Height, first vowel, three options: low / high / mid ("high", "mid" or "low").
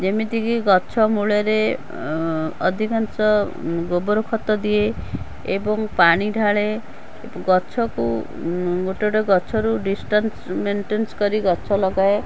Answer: mid